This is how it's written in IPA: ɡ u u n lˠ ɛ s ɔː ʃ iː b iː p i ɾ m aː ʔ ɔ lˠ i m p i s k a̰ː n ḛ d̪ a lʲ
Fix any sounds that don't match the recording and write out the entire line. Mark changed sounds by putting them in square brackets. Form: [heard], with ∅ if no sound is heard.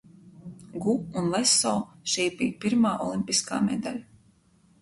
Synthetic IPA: ɡ u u n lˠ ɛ s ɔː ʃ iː b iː p i ɾ m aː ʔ ɔ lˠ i m p i s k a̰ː [m] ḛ d̪ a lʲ